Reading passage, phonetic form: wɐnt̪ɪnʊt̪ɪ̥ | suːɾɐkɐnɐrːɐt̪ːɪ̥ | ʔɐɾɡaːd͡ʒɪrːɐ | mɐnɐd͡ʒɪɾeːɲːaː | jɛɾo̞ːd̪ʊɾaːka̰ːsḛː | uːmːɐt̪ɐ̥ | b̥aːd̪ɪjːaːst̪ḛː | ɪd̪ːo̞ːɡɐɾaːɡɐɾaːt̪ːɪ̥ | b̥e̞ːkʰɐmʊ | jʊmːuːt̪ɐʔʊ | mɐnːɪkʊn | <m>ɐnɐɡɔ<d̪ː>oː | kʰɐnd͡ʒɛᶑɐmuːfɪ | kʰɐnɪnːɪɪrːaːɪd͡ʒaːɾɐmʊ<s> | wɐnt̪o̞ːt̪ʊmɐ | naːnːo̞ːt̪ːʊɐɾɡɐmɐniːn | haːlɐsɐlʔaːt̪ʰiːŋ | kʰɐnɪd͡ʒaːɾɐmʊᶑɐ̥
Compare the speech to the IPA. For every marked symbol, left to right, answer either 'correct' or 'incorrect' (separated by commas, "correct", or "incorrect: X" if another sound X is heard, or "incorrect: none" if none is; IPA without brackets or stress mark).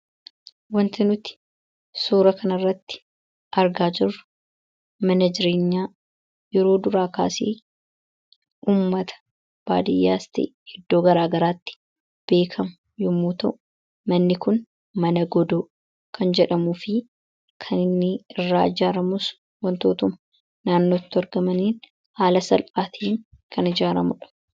correct, incorrect: d̪, correct